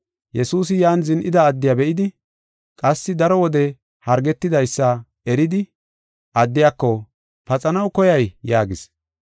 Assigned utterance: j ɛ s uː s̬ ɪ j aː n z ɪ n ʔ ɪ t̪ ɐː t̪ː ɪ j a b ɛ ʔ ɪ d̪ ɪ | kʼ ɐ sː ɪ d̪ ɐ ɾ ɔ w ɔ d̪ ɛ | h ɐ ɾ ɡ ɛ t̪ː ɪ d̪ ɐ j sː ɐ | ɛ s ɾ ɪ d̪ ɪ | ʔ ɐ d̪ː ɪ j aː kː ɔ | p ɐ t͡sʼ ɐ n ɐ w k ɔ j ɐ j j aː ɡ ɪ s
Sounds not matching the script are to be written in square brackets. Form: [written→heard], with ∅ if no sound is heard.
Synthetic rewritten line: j ɛ s uː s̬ ɪ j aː n z ɪ n ʔ ɪ [t̪→d̪] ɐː [t̪ː→d̪ː] ɪ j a b ɛ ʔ ɪ d̪ ɪ | kʼ ɐ sː ɪ d̪ ɐ ɾ ɔ w ɔ d̪ ɛ | h ɐ ɾ ɡ ɛ t̪ː ɪ d̪ ɐ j sː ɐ | ɛ [s→∅] ɾ ɪ d̪ ɪ | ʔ ɐ d̪ː ɪ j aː kː ɔ | p ɐ t͡sʼ ɐ n ɐ w k ɔ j ɐ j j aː ɡ ɪ s